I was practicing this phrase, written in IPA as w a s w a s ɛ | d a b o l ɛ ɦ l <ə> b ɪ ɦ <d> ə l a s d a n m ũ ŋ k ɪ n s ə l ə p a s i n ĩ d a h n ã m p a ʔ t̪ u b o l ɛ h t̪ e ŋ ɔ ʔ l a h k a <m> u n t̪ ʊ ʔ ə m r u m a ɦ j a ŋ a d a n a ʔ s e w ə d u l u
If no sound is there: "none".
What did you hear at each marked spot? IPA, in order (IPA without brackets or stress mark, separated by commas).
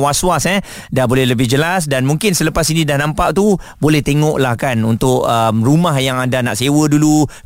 ə, d͡ʒ, n